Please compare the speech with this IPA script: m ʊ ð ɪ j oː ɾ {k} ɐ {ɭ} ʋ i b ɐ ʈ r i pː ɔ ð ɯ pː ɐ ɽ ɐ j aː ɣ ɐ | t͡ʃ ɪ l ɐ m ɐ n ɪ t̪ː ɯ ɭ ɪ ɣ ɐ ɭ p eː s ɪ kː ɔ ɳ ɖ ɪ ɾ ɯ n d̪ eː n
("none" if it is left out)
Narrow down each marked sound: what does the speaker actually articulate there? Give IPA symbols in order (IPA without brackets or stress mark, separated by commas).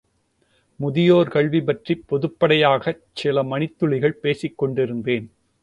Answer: k, ɭ